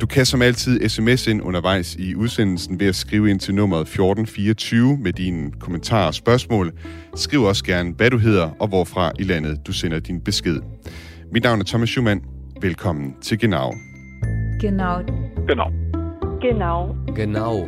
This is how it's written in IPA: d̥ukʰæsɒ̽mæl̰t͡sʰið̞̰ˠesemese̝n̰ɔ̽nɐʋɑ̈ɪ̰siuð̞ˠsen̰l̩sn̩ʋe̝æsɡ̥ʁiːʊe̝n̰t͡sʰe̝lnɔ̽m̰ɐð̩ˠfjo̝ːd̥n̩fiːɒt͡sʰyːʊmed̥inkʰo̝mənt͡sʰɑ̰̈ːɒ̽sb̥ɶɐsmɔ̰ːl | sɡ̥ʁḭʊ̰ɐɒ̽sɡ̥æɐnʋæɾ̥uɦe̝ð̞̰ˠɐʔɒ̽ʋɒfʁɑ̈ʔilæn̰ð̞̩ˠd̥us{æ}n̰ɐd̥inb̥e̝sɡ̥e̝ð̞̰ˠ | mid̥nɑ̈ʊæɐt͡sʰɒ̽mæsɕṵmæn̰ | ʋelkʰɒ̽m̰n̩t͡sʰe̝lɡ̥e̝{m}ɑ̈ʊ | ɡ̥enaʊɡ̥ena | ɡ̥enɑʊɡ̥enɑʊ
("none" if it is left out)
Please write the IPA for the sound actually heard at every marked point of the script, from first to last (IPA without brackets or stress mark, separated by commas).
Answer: e, n